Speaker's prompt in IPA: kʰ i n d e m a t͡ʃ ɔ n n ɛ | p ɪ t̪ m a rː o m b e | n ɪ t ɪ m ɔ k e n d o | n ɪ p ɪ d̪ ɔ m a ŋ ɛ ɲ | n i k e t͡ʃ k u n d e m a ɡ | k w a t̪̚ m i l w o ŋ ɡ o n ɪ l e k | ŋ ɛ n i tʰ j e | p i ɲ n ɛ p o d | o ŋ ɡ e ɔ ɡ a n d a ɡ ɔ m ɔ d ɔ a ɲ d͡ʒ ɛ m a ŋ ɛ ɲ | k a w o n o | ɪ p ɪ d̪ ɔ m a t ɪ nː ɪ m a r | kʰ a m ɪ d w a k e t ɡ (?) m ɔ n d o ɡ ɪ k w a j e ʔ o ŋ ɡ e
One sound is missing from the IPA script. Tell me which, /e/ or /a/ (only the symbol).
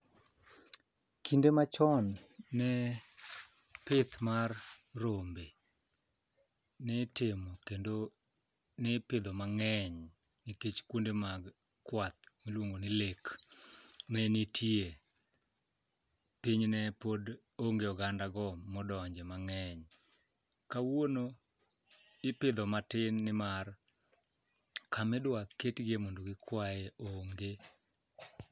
e